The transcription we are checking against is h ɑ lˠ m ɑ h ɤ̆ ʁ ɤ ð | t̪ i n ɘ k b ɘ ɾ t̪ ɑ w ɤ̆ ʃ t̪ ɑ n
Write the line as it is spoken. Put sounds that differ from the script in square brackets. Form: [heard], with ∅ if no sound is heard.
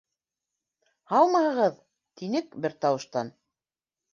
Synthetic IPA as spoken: h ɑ lˠ m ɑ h ɤ̆ ʁ ɤ ð | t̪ i n ɘ k b ɘ ɾ t̪ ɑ w ɤ̆ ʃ t̪ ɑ n